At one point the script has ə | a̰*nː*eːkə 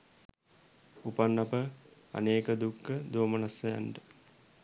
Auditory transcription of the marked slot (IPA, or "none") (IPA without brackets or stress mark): n